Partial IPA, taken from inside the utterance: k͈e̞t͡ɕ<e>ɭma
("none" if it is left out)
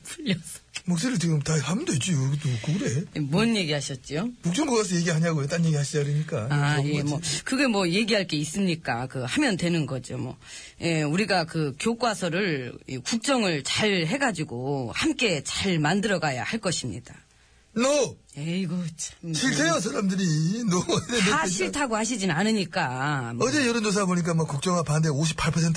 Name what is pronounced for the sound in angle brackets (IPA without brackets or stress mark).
a